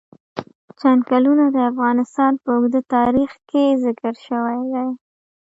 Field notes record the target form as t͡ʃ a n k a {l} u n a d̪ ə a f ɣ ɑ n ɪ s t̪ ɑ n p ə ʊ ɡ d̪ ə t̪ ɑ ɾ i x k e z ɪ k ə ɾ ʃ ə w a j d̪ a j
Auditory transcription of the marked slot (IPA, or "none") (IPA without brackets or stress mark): l